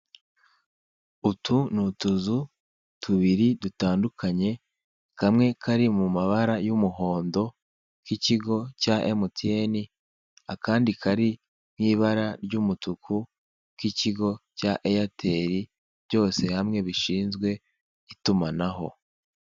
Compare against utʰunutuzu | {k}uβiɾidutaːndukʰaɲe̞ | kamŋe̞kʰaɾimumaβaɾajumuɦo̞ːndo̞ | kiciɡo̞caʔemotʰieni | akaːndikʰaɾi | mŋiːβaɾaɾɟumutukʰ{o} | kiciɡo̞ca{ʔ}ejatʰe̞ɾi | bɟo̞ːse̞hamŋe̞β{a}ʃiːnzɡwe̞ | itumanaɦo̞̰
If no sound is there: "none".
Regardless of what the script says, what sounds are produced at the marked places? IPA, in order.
t, u, ʔ, i

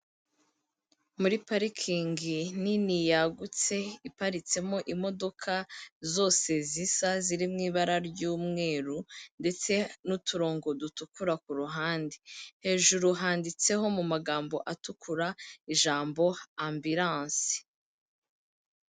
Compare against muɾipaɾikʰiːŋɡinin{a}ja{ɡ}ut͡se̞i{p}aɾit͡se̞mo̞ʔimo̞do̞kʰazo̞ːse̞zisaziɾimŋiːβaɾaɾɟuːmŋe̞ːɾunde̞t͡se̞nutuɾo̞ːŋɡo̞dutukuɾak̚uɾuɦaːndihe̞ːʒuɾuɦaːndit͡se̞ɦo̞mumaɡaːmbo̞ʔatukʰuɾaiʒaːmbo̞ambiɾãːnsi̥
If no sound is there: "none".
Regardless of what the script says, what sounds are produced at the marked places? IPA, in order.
i, ɡ, p

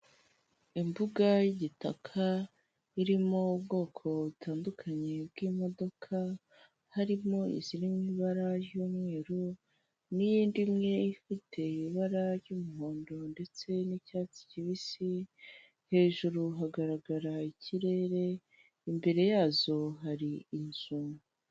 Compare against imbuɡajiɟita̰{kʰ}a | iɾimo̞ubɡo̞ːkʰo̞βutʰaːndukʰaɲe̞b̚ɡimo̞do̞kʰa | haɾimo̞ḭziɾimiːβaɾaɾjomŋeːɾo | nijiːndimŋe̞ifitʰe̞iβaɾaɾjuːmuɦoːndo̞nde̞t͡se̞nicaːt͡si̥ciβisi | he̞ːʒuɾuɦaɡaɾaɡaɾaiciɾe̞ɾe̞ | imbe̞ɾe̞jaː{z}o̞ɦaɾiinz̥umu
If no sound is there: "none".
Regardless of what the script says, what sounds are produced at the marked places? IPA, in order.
kʰ, z

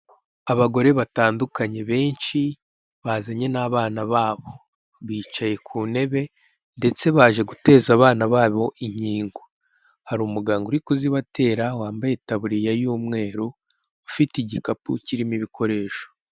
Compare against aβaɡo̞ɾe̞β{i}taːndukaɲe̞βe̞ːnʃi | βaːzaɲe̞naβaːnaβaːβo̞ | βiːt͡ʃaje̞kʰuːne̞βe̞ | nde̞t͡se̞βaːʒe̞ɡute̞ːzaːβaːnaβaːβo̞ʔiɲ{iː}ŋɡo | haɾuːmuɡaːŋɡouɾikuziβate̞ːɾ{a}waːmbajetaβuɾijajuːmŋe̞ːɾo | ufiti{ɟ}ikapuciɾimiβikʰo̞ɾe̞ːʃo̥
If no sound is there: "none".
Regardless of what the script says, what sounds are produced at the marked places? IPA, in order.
a, iː, a, ɟ

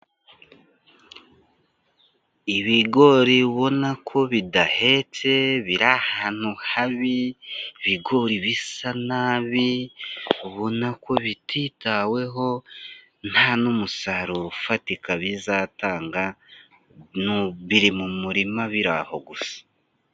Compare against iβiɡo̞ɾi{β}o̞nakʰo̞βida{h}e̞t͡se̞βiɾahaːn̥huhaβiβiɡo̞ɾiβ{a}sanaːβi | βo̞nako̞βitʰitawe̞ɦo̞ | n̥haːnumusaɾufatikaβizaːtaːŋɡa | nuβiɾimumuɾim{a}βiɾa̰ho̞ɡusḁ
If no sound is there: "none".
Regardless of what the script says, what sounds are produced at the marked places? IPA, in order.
β, h, i, a

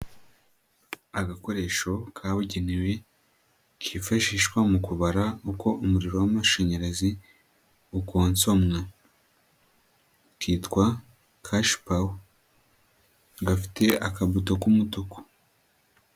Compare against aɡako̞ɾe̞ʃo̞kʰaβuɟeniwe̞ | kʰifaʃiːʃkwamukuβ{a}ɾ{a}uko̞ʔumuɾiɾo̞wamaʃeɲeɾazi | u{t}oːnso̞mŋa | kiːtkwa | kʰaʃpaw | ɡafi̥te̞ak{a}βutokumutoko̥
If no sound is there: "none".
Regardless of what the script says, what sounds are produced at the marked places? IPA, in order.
a, a, k, a

